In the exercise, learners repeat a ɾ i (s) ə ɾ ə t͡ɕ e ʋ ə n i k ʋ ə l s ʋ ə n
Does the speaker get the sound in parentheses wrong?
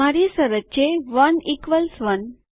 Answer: no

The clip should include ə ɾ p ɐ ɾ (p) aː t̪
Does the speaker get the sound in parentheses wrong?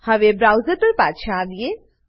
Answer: no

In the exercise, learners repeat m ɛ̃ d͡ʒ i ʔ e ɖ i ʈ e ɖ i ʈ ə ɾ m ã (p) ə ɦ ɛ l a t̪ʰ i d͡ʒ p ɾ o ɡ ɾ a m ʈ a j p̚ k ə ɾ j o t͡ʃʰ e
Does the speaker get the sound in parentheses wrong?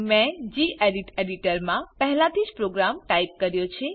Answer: no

